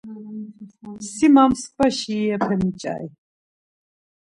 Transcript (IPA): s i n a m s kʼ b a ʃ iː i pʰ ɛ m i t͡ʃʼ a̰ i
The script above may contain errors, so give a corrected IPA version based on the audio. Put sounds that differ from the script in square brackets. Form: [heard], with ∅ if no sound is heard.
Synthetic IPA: s i [m] a m s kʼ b a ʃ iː [ɛ] pʰ ɛ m i t͡ʃʼ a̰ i